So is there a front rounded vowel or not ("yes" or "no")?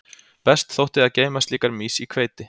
no